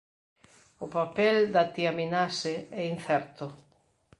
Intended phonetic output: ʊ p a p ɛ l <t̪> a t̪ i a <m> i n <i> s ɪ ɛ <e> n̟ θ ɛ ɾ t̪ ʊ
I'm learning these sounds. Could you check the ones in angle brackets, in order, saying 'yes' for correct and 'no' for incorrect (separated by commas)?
no, yes, no, no